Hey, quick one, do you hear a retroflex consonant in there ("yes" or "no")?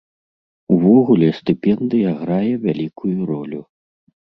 no